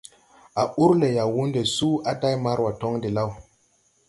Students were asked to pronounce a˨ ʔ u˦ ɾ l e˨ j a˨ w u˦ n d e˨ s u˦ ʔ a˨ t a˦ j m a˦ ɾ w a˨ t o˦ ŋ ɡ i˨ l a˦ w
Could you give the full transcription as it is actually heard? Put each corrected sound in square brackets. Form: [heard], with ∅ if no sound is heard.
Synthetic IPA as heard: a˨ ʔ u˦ ɾ l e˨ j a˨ w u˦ n d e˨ s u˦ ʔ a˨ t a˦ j m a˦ ɾ w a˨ t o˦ ŋ [d] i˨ l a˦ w